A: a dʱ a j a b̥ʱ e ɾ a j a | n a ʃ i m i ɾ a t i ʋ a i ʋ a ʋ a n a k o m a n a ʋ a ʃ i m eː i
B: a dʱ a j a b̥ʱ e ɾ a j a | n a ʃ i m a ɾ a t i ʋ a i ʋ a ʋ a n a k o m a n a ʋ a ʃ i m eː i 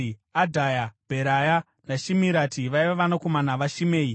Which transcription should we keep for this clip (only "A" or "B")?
A